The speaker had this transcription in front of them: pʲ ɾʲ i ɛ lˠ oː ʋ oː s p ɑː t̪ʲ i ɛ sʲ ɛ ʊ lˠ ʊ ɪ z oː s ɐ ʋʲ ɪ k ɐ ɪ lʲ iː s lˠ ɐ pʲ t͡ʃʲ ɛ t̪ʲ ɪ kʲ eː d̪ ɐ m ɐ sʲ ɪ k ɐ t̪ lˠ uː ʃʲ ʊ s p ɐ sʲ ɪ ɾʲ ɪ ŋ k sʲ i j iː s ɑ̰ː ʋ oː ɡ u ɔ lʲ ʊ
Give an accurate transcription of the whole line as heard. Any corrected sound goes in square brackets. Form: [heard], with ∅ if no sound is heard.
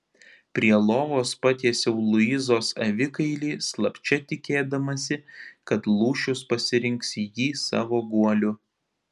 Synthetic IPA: pʲ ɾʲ i ɛ lˠ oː ʋ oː s p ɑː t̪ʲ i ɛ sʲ ɛ ʊ lˠ ʊ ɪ z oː s ɐ ʋʲ ɪ k ɐ ɪ lʲ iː s lˠ ɐ pʲ t͡ʃʲ ɛ t̪ʲ ɪ kʲ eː d̪ ɐ m ɐ sʲ ɪ k ɐ t̪ lˠ uː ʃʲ ʊ s p ɐ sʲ ɪ ɾʲ ɪ ŋ k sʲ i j iː s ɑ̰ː ʋ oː ɡ u ɔ lʲ ʊ